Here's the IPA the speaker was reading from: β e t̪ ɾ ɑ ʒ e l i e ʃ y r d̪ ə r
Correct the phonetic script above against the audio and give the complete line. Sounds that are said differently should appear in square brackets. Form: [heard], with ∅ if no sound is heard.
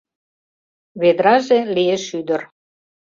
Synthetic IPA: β e [d̪] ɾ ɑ ʒ e l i e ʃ y [∅] d̪ ə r